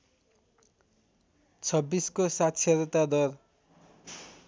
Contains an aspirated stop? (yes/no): yes